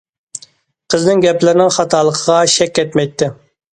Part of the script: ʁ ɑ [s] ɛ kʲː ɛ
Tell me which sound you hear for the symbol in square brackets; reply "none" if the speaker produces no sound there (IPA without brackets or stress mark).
ʃ